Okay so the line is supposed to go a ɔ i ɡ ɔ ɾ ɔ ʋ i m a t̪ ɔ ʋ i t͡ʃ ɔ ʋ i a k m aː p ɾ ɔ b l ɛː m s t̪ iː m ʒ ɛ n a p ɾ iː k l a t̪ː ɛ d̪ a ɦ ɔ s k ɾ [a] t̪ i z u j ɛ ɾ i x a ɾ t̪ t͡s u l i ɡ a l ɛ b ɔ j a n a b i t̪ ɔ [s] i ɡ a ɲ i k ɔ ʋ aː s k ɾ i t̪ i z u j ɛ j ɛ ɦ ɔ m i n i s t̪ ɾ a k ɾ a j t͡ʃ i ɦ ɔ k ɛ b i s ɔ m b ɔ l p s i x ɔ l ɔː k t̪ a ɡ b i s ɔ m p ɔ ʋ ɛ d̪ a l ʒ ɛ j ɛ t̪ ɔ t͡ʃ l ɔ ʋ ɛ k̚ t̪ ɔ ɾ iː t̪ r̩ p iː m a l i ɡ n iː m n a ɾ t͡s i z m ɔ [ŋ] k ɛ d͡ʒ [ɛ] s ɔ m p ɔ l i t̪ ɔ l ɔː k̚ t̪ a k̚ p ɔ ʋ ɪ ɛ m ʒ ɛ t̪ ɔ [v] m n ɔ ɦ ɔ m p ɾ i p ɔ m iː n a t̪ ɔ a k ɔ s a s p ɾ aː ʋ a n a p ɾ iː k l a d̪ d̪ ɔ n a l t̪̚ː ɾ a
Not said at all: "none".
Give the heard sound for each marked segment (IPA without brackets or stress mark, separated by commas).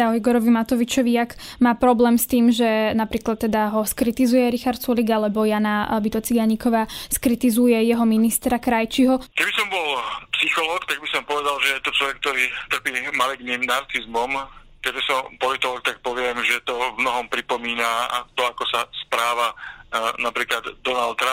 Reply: i, t͡s, m, ɛ, v